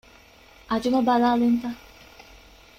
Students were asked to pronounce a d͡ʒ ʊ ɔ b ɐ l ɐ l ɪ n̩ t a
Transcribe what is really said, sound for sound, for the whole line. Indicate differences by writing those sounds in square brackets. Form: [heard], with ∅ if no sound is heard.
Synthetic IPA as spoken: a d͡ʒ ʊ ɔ b [a] l [a] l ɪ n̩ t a